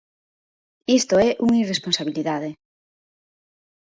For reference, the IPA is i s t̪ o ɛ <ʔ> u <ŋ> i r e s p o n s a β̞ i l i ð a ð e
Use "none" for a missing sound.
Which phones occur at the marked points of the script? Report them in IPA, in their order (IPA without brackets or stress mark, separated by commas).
ʔ, ŋ